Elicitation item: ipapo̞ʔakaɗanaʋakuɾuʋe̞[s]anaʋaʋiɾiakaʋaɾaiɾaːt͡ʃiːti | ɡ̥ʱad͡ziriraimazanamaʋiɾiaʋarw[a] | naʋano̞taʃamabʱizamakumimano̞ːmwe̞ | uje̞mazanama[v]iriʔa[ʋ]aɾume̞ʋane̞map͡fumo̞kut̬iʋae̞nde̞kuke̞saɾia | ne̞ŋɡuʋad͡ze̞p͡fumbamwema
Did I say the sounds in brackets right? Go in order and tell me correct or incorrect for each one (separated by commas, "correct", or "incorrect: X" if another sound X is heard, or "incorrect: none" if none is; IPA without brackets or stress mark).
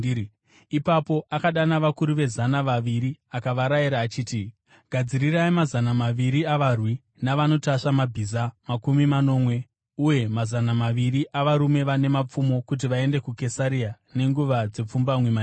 incorrect: z, incorrect: i, incorrect: ʋ, correct